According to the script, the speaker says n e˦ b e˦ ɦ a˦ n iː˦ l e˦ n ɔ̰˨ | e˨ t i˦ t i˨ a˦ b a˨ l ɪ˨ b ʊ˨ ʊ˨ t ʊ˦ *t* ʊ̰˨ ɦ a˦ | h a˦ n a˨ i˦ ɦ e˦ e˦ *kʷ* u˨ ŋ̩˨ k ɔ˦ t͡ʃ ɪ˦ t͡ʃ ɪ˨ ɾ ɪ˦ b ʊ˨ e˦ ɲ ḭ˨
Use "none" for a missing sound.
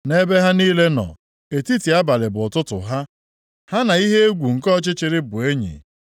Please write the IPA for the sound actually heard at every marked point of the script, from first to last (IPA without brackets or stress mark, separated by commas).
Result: t, ɡʷ